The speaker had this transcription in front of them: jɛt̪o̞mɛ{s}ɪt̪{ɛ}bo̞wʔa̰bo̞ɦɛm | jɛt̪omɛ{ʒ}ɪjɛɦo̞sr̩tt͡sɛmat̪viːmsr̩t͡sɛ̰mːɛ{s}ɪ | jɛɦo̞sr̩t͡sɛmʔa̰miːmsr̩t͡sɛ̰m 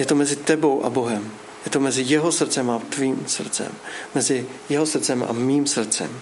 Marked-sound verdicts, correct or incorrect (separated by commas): incorrect, correct, incorrect, incorrect